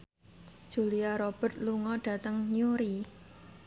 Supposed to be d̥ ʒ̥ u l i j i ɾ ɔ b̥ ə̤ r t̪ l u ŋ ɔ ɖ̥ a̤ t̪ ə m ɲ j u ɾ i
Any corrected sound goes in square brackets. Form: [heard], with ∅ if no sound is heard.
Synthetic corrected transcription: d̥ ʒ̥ u l i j [a] ɾ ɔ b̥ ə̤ r t̪ l u ŋ ɔ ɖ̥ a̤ t̪ ə [ŋ] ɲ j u ɾ i